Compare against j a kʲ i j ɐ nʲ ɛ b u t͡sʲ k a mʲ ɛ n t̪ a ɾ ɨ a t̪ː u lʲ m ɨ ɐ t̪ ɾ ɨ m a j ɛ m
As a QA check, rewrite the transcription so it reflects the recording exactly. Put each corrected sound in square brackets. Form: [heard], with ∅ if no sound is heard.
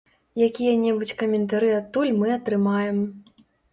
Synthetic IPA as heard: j a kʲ i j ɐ nʲ ɛ b u t͡sʲ k [ɐ] mʲ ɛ n t̪ a ɾ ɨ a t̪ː u lʲ m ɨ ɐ t̪ ɾ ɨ m a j ɛ m